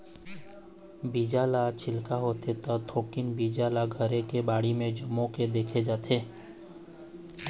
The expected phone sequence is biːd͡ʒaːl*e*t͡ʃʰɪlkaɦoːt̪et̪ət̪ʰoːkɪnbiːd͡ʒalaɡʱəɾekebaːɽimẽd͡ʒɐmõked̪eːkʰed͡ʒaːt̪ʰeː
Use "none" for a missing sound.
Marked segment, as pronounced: a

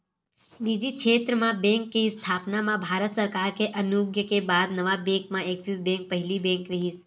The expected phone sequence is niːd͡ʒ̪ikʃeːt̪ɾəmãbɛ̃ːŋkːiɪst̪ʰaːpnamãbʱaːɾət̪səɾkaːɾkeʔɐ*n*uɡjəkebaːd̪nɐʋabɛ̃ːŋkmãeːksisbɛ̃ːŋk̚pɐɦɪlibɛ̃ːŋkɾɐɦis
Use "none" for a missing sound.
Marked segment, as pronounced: n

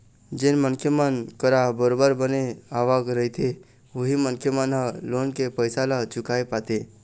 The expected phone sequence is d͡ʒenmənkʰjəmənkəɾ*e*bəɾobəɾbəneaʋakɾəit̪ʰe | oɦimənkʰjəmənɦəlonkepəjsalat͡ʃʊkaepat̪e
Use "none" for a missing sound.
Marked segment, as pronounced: a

